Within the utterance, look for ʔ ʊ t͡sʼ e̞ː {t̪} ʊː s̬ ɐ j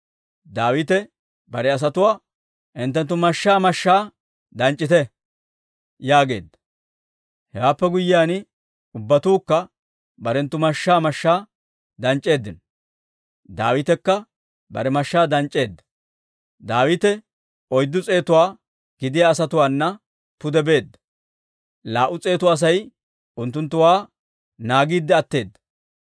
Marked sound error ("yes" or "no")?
no